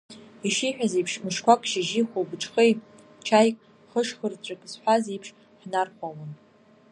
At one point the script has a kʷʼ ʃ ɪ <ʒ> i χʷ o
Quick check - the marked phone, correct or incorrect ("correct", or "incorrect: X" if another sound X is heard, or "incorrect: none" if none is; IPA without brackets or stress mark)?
correct